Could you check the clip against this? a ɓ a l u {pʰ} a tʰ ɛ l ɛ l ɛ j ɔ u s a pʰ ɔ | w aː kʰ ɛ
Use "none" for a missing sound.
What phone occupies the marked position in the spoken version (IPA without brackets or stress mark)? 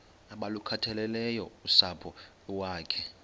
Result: kʰ